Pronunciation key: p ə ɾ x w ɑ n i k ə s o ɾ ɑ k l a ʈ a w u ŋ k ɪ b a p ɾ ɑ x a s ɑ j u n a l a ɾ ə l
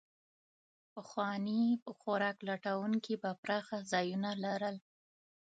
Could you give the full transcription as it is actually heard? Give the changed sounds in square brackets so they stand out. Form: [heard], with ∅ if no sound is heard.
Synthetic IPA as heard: p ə [∅] x w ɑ n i [p] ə [x] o ɾ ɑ k l a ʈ a w u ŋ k [i] b a p ɾ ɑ x a [z] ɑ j u n a l a ɾ ə l